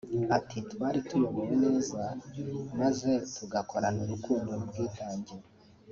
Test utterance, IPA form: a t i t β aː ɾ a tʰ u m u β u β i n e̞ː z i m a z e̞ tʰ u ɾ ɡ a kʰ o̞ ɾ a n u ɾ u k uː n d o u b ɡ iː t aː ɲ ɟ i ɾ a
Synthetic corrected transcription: a t i t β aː ɾ i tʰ u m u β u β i n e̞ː z a m a z e̞ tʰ u ɡ a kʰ o̞ ɾ a n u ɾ u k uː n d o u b ɡ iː t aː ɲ ɟ i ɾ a